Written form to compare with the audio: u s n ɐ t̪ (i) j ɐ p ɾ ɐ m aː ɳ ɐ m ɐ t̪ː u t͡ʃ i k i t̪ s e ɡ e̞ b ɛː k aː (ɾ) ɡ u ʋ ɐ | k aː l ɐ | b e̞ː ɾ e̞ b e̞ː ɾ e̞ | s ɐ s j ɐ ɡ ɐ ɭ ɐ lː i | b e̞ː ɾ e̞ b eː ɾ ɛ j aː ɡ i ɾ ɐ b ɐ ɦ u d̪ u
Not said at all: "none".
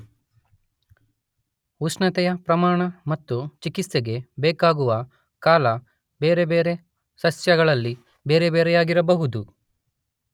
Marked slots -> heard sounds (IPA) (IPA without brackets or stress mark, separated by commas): ɛ, none